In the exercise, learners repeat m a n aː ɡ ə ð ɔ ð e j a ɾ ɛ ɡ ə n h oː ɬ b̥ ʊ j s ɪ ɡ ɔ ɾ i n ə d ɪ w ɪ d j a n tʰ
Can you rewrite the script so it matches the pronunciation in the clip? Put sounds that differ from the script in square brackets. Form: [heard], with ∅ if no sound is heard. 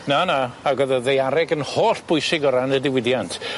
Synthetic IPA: [n] a n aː ɡ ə ð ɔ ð e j a ɾ ɛ ɡ ə n h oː ɬ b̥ ʊ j s ɪ ɡ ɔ ɾ [a] n ə d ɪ w ɪ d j a n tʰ